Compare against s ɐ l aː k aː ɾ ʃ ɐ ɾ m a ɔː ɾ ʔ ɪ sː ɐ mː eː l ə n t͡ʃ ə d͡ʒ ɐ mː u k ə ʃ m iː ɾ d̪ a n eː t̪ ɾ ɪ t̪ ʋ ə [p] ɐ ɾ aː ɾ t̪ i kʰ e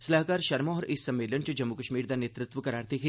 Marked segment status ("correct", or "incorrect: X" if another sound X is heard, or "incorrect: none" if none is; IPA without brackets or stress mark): incorrect: k